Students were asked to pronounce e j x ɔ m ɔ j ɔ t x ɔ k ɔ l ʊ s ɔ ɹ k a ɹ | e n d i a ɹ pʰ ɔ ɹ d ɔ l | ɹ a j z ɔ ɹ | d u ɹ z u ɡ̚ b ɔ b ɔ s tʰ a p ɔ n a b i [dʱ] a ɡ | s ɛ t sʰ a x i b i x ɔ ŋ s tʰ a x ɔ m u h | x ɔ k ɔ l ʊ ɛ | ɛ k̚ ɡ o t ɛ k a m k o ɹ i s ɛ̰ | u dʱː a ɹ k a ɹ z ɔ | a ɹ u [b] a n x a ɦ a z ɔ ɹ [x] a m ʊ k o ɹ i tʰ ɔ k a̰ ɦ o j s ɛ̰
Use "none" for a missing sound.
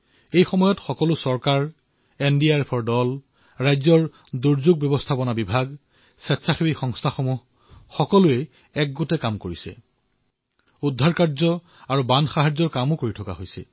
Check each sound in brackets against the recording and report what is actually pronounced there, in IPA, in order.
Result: bʱ, b, k

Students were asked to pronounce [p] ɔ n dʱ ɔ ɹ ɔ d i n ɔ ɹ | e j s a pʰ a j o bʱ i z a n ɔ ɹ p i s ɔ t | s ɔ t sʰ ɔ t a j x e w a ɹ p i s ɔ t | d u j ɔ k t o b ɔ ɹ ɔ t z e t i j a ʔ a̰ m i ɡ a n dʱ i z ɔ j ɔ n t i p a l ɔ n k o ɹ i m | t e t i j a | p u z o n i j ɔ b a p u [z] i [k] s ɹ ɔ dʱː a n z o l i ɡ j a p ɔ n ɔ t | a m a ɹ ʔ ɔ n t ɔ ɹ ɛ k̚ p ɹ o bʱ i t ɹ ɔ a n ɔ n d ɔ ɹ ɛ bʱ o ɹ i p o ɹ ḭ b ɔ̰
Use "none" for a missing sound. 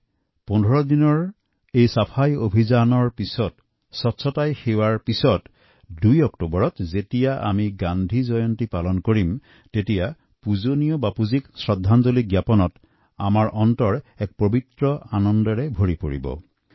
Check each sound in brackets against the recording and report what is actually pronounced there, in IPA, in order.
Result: p, z, k

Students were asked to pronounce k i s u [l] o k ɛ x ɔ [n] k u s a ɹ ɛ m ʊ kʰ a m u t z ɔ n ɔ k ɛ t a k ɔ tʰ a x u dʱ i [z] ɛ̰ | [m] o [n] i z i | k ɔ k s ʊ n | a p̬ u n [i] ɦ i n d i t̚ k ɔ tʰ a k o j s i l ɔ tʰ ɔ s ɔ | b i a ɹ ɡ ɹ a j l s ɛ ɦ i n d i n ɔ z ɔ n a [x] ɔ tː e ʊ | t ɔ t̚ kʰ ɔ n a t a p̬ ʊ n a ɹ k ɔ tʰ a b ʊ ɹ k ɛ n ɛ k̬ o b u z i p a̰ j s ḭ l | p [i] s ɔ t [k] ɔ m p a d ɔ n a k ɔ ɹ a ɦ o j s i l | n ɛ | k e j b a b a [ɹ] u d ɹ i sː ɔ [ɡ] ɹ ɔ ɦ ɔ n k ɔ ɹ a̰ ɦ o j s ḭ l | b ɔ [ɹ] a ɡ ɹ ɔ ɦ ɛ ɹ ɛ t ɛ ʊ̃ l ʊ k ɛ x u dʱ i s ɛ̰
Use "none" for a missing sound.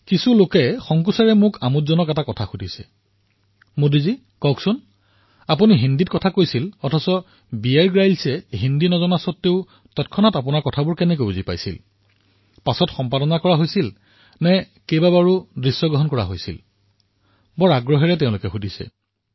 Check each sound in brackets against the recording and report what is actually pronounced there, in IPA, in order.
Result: l, ŋ, s, m, d, i, s, a, x, ɹ, ɡ, ɹ

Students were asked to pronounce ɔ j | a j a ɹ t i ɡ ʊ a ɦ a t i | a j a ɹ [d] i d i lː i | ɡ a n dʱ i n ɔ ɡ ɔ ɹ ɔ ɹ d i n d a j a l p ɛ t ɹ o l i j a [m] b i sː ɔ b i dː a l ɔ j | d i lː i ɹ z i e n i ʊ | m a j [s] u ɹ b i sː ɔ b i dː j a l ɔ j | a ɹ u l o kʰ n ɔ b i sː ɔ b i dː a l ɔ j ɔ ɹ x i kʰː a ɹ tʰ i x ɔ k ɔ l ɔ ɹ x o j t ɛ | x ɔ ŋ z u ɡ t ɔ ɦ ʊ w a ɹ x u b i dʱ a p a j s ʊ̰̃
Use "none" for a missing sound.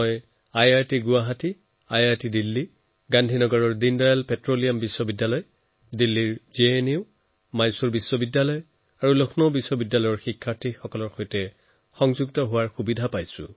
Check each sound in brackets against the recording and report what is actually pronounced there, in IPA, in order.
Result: t, m, s

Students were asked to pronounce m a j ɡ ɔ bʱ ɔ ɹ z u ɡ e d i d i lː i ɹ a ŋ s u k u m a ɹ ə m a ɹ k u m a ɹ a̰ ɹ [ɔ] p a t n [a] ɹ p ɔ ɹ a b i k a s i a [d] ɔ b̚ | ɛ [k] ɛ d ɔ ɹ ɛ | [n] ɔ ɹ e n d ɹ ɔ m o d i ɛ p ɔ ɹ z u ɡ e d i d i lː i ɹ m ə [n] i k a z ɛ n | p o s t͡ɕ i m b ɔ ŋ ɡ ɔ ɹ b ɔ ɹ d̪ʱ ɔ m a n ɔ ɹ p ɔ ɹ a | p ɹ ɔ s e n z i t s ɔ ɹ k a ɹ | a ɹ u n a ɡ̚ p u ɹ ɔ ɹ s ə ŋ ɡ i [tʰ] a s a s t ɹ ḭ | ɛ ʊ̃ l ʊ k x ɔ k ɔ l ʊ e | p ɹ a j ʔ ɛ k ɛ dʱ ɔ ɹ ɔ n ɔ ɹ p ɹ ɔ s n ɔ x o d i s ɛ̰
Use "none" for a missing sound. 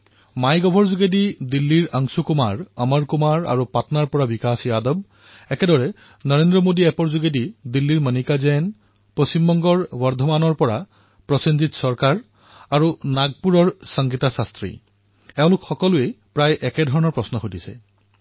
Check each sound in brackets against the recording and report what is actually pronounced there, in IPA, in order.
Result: u, a, d, k, n, n, t

